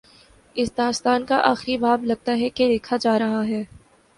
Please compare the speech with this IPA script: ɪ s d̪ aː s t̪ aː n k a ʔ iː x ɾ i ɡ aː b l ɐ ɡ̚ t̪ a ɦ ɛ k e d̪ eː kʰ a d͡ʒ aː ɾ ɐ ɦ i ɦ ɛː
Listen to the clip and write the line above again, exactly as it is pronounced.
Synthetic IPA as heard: ɪ s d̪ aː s t̪ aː n k a ʔ aː x ɾ i b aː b l ɐ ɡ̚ t̪ a ɦ ɛ k e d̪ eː kʰ a d͡ʒ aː ɾ ɐ ɦ a ɦ ɛː